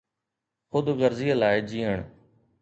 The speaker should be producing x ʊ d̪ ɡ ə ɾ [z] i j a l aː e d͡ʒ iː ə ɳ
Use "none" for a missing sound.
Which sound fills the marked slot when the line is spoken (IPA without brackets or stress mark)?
z